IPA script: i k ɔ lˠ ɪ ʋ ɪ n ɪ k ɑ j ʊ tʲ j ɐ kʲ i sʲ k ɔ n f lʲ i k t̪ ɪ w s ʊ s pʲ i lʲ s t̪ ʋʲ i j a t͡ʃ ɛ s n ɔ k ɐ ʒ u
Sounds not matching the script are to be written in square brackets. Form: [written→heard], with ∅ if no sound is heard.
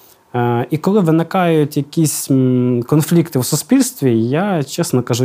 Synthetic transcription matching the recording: i k ɔ lˠ ɪ ʋ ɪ n ɪ k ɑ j ʊ tʲ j ɐ kʲ i sʲ k ɔ n f lʲ i k t̪ ɪ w s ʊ s pʲ i lʲ s t̪ ʋʲ i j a t͡ʃ ɛ s n ɔ k ɐ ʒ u